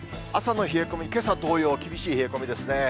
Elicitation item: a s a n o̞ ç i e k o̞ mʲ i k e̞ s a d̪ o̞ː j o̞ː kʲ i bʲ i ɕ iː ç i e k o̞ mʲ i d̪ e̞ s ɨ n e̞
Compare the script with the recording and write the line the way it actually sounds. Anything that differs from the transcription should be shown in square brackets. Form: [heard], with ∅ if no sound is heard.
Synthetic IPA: a s a n o̞ ç i e k o̞ mʲ i k e̞ s a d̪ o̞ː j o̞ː kʲ i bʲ i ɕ iː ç i e k o̞ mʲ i d̪ e̞ s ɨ n e̞